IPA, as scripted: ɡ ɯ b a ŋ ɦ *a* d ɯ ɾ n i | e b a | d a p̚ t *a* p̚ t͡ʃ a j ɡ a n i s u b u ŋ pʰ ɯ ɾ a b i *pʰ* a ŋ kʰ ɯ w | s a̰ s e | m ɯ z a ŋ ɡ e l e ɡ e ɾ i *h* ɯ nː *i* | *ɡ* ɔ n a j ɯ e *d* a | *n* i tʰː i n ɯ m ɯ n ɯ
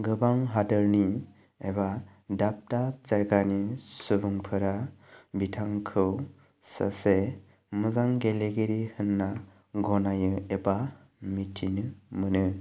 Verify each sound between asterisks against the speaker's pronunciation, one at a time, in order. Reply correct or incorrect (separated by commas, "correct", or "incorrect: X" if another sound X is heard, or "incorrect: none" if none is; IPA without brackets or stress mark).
correct, correct, incorrect: tʰ, correct, incorrect: a, correct, incorrect: b, incorrect: m